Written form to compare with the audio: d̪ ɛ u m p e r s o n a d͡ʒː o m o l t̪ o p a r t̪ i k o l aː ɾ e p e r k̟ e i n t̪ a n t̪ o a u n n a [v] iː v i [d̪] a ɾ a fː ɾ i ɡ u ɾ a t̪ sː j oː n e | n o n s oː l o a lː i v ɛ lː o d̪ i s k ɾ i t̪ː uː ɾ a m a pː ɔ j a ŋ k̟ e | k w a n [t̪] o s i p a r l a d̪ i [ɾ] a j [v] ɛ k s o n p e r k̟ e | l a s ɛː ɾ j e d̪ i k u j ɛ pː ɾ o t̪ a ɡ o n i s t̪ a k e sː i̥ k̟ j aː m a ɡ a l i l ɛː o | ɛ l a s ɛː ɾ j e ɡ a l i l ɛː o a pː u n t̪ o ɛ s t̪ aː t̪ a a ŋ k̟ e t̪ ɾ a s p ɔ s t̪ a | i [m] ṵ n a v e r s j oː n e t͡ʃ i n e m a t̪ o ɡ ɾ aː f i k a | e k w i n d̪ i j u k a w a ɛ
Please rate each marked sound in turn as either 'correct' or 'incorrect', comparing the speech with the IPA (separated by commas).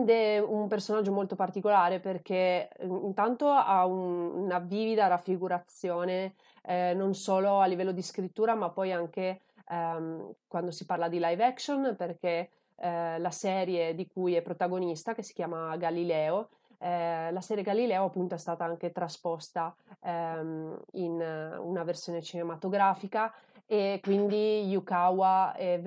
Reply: correct, correct, incorrect, incorrect, correct, incorrect